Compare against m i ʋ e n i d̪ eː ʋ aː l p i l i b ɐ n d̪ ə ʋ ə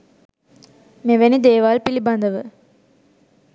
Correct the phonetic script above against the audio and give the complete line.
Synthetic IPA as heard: m e ʋ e n i d̪ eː ʋ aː l p i l i b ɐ n d̪ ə ʋ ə